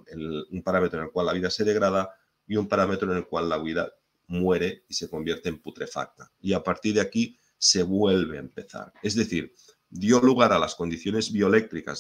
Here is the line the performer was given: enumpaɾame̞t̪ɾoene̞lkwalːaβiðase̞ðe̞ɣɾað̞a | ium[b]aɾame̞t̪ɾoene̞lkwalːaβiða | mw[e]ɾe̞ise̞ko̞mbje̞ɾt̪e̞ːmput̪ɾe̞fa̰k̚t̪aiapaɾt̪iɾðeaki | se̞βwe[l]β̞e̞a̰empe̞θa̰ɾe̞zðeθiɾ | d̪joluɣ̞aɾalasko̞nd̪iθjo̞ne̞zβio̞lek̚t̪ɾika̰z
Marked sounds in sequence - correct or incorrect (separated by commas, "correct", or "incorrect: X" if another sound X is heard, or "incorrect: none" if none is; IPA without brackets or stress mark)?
incorrect: p, correct, correct